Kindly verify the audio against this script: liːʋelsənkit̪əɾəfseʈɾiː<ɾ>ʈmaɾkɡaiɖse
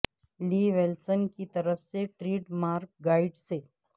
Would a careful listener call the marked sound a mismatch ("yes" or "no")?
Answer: yes